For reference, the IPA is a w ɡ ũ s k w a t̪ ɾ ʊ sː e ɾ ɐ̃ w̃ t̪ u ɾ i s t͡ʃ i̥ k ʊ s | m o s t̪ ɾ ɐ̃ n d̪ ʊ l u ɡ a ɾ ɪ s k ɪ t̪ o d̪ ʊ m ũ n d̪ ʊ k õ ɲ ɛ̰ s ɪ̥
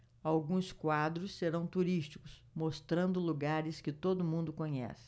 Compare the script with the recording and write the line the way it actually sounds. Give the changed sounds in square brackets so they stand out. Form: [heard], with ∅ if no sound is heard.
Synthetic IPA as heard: a w ɡ ũ s k w a [d̪] ɾ ʊ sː e ɾ ɐ̃ w̃ t̪ u ɾ i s t͡ʃ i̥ k ʊ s | m o s t̪ ɾ ɐ̃ n d̪ ʊ l u ɡ a ɾ ɪ s k ɪ t̪ o d̪ ʊ m ũ n d̪ ʊ k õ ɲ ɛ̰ s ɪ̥